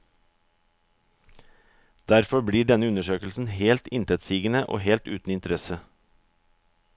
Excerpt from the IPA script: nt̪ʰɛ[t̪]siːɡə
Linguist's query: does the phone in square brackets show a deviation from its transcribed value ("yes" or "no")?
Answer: no